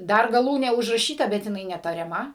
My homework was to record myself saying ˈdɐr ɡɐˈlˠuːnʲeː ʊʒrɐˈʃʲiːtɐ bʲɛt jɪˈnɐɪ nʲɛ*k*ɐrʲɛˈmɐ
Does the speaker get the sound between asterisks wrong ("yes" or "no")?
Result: yes